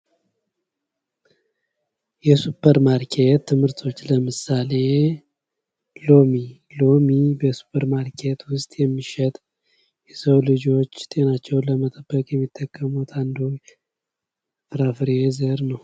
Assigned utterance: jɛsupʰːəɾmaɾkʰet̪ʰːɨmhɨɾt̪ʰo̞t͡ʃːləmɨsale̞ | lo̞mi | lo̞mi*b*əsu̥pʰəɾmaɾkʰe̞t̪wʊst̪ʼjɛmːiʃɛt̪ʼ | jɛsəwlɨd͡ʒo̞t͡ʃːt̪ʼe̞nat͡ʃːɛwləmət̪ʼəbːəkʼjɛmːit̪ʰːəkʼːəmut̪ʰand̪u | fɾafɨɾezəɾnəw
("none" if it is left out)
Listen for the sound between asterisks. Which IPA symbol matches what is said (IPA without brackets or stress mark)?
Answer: b